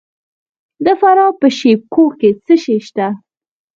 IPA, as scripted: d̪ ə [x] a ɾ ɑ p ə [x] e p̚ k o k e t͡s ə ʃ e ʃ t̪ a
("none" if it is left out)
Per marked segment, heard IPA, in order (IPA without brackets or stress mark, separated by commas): f, ʃ